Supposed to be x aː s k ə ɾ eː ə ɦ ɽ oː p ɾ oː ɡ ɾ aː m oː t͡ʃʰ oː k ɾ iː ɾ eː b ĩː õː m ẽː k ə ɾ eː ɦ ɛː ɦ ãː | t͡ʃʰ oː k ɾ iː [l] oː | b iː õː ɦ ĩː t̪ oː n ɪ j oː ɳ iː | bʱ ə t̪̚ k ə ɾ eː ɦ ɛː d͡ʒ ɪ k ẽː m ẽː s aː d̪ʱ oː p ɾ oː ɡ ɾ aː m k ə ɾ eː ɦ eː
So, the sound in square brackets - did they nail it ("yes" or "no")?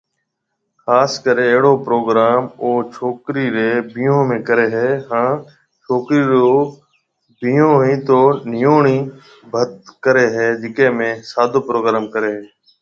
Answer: no